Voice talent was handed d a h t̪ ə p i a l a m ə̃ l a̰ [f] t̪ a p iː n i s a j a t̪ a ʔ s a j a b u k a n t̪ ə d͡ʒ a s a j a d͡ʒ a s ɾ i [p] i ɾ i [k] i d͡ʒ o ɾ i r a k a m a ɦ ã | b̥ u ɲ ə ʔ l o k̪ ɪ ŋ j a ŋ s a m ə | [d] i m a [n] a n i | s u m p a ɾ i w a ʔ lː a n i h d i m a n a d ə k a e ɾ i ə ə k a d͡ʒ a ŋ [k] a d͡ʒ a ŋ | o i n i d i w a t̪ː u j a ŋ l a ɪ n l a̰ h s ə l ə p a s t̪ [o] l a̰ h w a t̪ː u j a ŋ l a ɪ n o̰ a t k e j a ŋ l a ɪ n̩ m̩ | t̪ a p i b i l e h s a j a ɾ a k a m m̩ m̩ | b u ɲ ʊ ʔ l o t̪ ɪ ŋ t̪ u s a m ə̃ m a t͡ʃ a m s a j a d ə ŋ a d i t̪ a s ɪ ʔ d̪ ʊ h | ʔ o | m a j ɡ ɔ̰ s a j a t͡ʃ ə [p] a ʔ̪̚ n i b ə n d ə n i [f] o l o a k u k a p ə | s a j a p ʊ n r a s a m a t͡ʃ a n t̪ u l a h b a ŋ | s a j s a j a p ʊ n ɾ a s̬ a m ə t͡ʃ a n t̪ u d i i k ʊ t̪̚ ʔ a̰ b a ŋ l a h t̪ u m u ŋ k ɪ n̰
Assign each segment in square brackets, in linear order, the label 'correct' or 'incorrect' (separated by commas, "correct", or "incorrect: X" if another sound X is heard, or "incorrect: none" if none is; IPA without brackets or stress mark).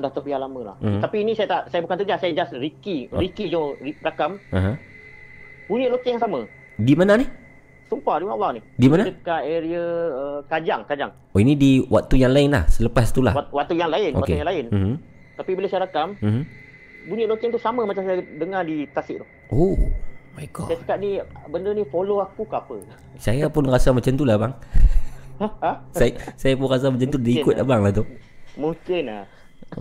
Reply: incorrect: h, incorrect: k, correct, correct, correct, correct, incorrect: u, incorrect: k, correct